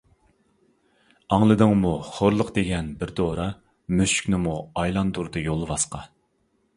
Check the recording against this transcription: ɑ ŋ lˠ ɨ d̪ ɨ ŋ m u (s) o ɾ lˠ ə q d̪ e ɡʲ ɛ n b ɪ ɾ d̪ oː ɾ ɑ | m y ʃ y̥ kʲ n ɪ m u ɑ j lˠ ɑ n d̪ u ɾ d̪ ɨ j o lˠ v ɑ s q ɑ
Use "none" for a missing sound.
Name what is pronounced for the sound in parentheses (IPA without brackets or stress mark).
χ